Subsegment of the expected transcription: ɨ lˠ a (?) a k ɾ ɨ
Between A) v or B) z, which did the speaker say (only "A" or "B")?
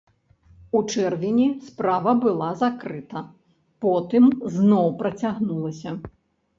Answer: B